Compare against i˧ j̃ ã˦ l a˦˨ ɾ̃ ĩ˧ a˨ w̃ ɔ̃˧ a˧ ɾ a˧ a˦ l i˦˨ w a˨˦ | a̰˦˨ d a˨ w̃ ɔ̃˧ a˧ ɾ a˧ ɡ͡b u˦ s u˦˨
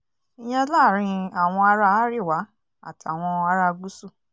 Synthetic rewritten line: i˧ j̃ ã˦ l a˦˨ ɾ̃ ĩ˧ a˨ w̃ ɔ̃˧ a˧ ɾ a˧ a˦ ɾ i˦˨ w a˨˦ | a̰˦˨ t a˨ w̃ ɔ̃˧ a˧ ɾ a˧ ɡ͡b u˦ s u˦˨